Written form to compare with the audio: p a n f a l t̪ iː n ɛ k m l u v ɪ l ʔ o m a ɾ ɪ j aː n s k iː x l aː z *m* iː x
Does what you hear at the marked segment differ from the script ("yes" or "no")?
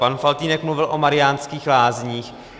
yes